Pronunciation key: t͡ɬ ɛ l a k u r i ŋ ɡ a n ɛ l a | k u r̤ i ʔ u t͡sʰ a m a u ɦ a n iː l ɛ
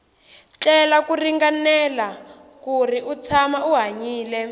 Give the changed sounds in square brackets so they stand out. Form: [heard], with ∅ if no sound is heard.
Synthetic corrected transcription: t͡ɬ ɛ l a k u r i ŋ ɡ a n ɛ l a | k u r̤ i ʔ u t͡sʰ a m a u ɦ a [ɲ] iː l ɛ